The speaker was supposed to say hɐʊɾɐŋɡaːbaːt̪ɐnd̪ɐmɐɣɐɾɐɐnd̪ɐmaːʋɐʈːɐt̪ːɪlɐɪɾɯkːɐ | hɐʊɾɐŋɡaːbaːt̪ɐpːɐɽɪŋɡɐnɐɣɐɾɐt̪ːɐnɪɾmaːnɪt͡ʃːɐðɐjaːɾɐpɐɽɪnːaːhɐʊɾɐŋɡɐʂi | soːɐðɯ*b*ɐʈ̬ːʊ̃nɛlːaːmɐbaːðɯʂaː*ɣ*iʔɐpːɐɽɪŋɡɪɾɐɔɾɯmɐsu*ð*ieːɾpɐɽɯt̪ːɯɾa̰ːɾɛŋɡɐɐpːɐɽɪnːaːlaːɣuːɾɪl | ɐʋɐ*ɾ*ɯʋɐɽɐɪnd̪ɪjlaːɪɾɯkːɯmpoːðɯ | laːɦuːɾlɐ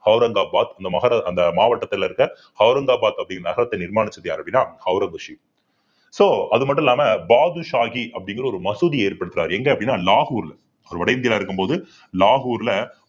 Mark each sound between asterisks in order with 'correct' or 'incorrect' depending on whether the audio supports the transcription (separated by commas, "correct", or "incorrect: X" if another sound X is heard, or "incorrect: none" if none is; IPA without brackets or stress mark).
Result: incorrect: m, correct, correct, correct